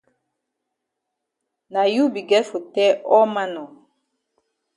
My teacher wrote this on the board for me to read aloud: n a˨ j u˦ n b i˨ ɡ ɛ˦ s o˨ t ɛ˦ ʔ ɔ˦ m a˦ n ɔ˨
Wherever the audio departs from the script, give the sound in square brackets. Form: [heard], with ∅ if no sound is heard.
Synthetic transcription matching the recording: n a˨ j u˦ [∅] b i˨ ɡ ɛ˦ [f] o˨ t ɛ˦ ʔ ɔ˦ m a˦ n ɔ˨